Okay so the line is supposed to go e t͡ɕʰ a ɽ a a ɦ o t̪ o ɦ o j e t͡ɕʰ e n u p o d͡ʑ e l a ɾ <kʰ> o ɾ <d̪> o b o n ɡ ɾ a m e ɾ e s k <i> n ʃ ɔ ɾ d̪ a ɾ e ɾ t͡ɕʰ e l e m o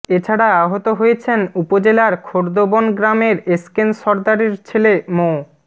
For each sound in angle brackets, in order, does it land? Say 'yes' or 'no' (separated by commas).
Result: yes, yes, no